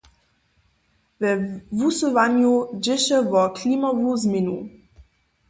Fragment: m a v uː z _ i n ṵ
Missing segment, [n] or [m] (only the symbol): m